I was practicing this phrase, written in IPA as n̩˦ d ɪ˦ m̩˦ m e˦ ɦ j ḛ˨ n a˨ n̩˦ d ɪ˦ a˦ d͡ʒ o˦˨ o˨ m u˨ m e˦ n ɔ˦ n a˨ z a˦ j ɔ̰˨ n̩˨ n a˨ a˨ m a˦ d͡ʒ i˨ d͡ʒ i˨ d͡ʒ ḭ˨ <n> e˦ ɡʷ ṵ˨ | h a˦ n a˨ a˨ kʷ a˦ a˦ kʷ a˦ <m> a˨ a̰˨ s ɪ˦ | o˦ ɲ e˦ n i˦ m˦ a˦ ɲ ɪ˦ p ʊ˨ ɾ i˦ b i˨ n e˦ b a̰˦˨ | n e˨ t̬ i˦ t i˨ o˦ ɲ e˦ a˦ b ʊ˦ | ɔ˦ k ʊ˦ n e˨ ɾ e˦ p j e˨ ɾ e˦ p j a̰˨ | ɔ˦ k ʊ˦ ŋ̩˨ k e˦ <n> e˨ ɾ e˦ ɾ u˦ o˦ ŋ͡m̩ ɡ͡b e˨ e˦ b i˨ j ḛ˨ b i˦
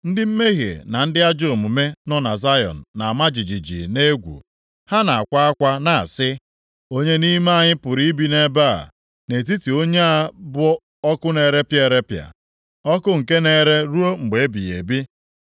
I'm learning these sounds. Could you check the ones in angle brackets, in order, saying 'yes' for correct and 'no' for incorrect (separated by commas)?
yes, no, yes